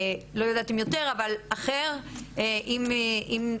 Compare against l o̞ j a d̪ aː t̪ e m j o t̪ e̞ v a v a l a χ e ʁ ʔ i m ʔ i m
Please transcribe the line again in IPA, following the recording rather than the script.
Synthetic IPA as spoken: l o̞ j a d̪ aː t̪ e m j o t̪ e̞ ʁ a v a l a χ e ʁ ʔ i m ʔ i m